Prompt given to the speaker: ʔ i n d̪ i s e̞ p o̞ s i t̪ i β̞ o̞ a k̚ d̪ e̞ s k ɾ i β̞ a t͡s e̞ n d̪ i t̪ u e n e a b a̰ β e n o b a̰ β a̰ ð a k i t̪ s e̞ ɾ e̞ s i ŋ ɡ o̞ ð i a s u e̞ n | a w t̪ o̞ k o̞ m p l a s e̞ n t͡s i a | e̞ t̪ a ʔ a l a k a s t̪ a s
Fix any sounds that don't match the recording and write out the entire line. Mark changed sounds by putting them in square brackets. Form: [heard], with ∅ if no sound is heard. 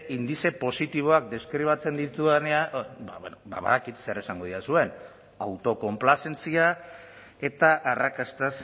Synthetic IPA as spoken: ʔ i n d̪ i s e̞ p o̞ s i t̪ i β̞ o̞ a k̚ d̪ e̞ s k ɾ i β̞ a t͡s e̞ n d̪ i t̪ u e n e a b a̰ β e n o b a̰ β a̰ ð a k i t̪ s e̞ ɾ e̞ s [a] ŋ ɡ o̞ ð i a s u e̞ n | a w t̪ o̞ k o̞ m p l a s e̞ n t͡s i a | e̞ t̪ a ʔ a [r] a k a s t̪ a s